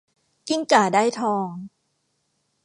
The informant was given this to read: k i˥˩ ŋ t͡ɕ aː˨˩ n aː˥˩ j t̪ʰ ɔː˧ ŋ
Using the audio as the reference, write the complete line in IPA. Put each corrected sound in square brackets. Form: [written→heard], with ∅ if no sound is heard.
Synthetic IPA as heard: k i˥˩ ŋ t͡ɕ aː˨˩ [n→d] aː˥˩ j t̪ʰ ɔː˧ ŋ